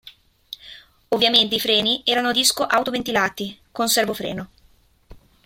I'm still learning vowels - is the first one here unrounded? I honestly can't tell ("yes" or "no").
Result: no